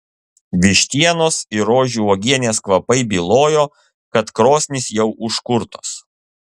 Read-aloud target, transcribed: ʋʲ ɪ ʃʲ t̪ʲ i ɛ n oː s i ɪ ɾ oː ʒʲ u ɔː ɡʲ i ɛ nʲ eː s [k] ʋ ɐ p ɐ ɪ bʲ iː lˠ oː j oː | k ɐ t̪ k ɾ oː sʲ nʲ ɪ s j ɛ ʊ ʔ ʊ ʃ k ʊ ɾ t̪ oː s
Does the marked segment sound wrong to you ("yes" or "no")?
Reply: no